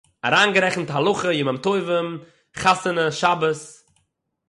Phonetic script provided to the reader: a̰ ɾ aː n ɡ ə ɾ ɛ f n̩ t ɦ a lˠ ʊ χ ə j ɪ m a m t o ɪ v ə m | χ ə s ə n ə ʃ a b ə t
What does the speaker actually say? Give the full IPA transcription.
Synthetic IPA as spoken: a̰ ɾ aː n ɡ ə ɾ ɛ χ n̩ t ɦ a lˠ ʊ χ ə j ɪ m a m t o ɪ v ə m | χ a s ə n ə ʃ a b ə s